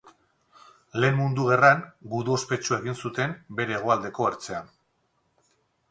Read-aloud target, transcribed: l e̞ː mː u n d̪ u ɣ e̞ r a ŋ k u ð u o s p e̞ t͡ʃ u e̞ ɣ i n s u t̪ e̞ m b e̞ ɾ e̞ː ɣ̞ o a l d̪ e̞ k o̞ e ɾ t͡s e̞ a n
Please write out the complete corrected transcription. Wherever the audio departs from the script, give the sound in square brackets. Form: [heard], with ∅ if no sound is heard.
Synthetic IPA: l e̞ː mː u n d̪ u ɣ e̞ r a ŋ [ɡ] u ð u o s p e̞ t͡ʃ u e̞ ɣ i n s u t̪ e̞ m b e̞ ɾ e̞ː ɣ̞ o a l d̪ e̞ k o̞ e ɾ t͡s e̞ a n